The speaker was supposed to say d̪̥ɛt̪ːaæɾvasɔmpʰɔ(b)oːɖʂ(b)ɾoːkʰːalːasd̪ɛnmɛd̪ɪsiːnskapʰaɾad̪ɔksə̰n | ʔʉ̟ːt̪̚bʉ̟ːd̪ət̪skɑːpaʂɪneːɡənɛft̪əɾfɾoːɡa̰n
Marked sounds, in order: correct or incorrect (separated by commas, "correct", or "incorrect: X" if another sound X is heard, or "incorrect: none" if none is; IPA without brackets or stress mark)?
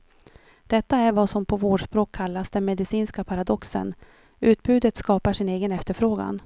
incorrect: v, incorrect: p